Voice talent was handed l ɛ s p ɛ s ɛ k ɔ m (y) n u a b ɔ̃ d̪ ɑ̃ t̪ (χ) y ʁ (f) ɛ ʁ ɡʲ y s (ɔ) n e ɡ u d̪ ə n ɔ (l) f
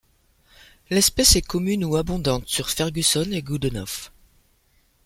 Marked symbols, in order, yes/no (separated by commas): yes, no, yes, yes, no